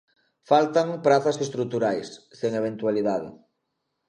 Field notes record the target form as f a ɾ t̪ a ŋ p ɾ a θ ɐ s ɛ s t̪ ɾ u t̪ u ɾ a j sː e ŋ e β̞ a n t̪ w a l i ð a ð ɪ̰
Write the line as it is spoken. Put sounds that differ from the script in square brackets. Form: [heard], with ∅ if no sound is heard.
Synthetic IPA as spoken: f a [l] t̪ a ŋ p ɾ a θ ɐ s [e] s t̪ ɾ u t̪ u ɾ a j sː e ŋ e β̞ [e] n t̪ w a l i ð a ð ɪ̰